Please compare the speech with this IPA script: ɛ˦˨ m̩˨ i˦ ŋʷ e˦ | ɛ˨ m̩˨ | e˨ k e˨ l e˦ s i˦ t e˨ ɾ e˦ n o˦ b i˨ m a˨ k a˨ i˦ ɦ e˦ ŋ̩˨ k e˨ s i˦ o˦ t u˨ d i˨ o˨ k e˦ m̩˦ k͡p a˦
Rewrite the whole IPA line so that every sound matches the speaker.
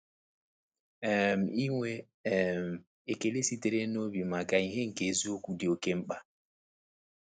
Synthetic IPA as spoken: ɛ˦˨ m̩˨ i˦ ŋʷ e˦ | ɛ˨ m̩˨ | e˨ k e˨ l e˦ s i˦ t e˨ ɾ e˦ n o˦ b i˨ m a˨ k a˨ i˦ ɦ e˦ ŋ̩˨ k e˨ z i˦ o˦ k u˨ d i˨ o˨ k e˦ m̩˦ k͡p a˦